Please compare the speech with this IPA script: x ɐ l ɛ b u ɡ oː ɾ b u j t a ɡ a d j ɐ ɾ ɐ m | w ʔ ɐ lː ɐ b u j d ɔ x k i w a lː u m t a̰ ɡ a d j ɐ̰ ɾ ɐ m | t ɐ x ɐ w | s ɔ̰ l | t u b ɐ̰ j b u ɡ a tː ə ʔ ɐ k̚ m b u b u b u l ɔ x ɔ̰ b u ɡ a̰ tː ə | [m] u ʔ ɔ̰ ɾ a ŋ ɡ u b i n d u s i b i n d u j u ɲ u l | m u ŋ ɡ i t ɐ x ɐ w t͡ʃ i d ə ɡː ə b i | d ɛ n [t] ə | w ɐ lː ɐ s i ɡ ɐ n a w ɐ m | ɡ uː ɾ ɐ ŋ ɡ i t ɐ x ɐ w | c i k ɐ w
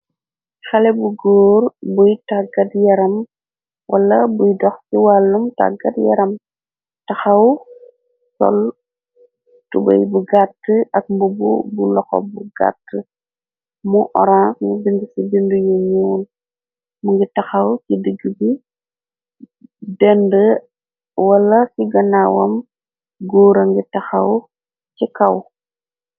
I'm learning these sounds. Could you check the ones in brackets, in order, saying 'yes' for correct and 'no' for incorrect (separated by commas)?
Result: yes, no